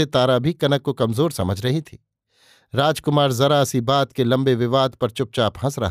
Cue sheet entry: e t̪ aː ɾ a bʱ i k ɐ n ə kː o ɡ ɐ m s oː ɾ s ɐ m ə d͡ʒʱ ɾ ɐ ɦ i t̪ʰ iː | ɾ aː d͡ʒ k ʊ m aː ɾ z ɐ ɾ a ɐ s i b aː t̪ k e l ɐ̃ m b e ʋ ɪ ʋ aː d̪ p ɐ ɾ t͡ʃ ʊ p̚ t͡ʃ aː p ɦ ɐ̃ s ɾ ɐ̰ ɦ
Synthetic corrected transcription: e t̪ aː ɾ a bʱ i k ɐ n ə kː o k ɐ m z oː ɾ s ɐ m ə d͡ʒʱ ɾ ɐ ɦ i t̪ʰ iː | ɾ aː d͡ʒ k ʊ m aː ɾ z ɐ ɾ a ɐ s i b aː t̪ k e l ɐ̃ m b e ʋ ɪ ʋ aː d̪ p ɐ ɾ t͡ʃ ʊ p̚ t͡ʃ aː p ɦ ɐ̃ s ɾ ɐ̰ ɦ